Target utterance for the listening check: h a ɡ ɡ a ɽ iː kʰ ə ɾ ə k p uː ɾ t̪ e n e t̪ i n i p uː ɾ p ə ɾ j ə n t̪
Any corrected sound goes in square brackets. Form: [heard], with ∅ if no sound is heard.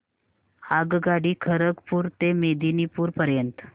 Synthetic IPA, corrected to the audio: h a ɡ ɡ a ɽ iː kʰ ə ɾ ə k p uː ɾ t̪ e [m] e [d̪] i n i p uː ɾ p ə ɾ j ə n t̪